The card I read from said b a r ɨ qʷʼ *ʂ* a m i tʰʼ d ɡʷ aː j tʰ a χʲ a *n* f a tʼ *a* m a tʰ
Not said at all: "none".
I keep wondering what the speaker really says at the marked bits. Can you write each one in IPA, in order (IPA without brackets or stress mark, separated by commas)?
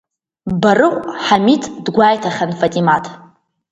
ħ, n, i